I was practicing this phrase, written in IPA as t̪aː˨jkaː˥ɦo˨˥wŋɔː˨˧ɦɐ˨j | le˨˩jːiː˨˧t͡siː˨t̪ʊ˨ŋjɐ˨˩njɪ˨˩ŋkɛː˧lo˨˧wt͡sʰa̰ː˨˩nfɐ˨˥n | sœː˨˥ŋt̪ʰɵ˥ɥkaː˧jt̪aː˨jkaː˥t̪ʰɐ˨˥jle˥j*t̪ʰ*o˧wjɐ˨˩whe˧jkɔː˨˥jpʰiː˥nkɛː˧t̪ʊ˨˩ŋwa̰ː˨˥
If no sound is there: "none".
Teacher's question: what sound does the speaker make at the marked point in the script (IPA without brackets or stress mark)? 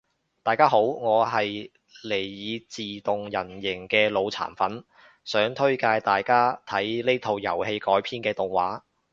t̪ʰ